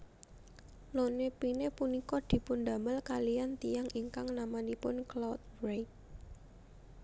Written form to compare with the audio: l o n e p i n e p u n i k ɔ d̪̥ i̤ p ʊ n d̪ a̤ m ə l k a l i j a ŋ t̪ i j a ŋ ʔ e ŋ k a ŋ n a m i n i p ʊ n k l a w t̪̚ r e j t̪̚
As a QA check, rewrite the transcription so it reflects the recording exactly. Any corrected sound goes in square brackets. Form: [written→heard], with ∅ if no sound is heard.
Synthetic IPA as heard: l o n e p i n e p u n i k ɔ d̪̥ i̤ p ʊ n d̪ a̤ m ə l k a l i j a [ŋ→n] t̪ i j a ŋ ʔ [e→i] ŋ k a ŋ n a m [i→a] n i p ʊ n k l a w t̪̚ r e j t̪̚